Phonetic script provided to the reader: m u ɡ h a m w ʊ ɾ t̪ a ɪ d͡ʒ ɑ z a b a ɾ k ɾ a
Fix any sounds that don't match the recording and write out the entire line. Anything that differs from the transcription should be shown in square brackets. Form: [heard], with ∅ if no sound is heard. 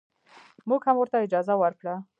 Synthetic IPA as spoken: m u ɡ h a m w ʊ ɾ t̪ a ɪ d͡ʒ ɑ z a [w] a ɾ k [ɽ] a